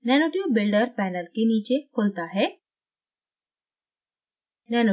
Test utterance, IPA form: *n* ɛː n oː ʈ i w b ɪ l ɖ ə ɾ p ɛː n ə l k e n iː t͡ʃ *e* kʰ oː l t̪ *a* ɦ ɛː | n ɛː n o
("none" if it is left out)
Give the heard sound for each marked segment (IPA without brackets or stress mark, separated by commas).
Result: n, e, a